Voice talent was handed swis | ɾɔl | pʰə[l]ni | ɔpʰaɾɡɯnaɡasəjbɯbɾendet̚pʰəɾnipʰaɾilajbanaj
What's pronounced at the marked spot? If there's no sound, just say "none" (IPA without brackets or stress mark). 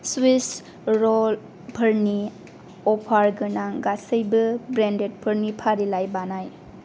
ɾ